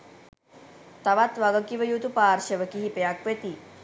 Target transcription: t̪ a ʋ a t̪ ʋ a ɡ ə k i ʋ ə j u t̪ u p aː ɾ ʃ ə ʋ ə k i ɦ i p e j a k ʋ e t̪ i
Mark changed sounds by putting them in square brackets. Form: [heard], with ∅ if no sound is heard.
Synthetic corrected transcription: t̪ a ʋ a t̪ ʋ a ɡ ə k i ʋ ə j u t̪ u p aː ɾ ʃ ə ʋ ə k i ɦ i p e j a k ʋ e t̪ i